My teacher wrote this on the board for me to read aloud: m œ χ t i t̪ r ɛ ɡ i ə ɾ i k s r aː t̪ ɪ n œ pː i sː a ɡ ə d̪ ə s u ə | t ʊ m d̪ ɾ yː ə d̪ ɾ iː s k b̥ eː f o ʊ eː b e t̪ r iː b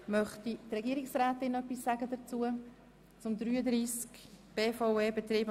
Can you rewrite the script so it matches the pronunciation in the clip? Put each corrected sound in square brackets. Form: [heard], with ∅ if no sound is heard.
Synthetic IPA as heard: m œ χ t i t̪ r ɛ ɡ i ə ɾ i k s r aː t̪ ɪ n œ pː i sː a ɡ ə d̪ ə [t͡s] u ə | [t͡s] ʊ m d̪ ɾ yː ə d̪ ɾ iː s k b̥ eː f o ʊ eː b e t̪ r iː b